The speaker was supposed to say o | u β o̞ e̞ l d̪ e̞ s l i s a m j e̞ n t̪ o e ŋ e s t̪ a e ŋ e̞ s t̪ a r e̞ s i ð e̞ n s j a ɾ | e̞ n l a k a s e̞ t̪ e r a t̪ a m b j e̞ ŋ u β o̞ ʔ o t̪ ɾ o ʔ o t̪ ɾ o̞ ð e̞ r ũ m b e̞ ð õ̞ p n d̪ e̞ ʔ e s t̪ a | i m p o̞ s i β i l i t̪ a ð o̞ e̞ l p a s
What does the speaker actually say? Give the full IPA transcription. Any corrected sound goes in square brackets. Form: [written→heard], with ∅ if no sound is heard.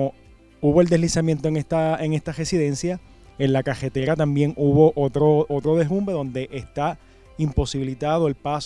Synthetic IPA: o | u β o̞ e̞ l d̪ e̞ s l i s a m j e̞ n t̪ o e ŋ e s t̪ a e ŋ e̞ s t̪ a r e̞ s i ð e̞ n s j a [ɾ→∅] | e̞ n l a k a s e̞ t̪ e [r→ɾ] a t̪ a m b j e̞ ŋ u β o̞ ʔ o t̪ ɾ o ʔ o t̪ ɾ o̞ ð e̞ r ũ m b e̞ ð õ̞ [p→∅] n d̪ e̞ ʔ e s t̪ a | i m p o̞ s i β i l i t̪ a ð o̞ e̞ l p a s